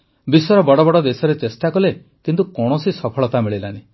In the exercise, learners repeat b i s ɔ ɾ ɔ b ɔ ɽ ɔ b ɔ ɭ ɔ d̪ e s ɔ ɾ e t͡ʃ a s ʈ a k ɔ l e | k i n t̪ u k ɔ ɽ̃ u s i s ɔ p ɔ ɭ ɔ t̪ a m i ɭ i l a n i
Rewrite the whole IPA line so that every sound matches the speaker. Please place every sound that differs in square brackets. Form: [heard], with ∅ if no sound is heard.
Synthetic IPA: b i s ɔ ɾ ɔ b ɔ ɽ ɔ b ɔ [ɽ] ɔ d̪ e s ɔ ɾ e t͡ʃ [e] s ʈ a k ɔ l e | k i n t̪ u k ɔ ɽ̃ [ɔ] s i s ɔ [pʰ] ɔ ɭ ɔ t̪ a m i ɭ i l a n i